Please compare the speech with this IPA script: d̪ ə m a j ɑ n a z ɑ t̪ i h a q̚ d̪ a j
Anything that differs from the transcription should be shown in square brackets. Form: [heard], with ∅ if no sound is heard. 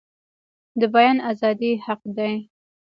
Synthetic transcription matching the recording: d̪ ə [b] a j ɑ n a z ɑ [d̪] i h a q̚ d̪ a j

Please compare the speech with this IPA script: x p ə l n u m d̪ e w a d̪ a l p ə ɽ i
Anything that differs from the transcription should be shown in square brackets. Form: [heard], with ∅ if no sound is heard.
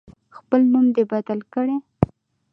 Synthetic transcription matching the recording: x p ə l n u m d̪ e [b] a d̪ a l [k] ə ɽ [e]

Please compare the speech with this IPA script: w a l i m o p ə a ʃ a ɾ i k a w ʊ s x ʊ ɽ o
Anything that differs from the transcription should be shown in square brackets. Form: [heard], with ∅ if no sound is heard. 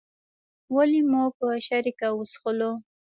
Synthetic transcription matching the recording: w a l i m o p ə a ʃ a ɾ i k a w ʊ s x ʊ [l] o

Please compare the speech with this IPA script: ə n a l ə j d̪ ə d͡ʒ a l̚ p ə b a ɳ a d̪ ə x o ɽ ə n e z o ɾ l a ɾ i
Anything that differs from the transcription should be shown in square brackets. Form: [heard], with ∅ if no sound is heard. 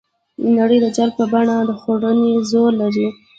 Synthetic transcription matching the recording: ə n a [ɽ] ə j d̪ ə d͡ʒ a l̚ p ə b a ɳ a d̪ ə x o ɽ ə n e z o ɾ l a ɾ i

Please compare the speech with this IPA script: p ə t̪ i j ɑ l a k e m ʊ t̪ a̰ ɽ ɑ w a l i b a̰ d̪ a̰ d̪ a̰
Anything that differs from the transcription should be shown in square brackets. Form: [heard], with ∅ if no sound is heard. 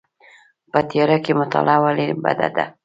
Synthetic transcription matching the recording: p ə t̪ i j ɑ [ɾ] a k e m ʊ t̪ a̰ [l] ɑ w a l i b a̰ d̪ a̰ d̪ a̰

